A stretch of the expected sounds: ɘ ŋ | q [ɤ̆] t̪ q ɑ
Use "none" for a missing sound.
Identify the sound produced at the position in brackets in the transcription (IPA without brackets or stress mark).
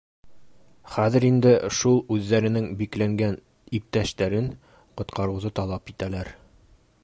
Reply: ŏ